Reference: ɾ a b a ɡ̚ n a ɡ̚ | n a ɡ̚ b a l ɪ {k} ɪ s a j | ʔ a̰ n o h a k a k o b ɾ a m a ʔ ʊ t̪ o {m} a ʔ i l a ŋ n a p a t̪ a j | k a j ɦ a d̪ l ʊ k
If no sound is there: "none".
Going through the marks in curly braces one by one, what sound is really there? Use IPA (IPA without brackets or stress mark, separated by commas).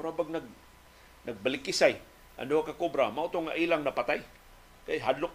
k, ŋ